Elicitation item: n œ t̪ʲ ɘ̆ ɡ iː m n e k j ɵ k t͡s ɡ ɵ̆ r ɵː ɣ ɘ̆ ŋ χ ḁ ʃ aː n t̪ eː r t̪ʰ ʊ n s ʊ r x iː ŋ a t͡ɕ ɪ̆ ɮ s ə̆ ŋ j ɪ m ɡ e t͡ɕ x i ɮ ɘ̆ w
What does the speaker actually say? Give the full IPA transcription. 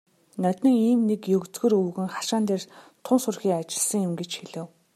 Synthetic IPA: n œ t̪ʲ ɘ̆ ŋ iː m n e k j ɵ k t͡s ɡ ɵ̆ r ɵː ɣ ɘ̆ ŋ χ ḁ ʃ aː n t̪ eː r t̪ʰ ʊ n s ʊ r x iː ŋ a t͡ɕ ɪ̆ ɮ s ə̆ ŋ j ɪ m ɡ e t͡ɕ x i ɮ ɘ̆ w